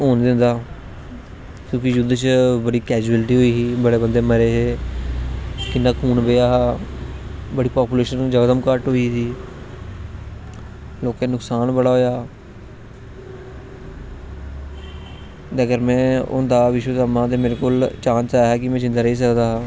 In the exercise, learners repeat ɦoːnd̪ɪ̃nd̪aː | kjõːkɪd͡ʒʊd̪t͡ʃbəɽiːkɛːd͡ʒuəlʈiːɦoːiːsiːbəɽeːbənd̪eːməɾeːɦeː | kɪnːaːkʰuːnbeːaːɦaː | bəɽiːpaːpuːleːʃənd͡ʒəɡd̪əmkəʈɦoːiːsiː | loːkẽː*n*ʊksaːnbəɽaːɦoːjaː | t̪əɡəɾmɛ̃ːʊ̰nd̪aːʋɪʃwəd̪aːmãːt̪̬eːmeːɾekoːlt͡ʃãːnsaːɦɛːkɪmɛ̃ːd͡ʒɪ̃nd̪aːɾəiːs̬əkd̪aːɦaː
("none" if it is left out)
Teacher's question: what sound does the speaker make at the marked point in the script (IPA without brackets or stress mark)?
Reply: n